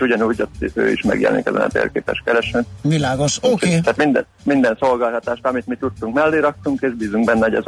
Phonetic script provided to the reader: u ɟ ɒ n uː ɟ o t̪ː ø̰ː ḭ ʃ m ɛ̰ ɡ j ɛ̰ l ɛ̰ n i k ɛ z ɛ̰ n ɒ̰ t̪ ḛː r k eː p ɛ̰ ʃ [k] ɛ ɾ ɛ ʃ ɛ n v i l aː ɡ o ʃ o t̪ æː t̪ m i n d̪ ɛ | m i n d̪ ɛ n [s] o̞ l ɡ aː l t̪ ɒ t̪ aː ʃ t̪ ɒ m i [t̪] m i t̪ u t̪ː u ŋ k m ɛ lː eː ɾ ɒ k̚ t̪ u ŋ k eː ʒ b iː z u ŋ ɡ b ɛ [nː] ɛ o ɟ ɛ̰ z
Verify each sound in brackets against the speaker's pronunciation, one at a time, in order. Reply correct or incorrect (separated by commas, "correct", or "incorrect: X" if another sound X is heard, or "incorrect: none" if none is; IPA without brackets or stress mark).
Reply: correct, correct, correct, correct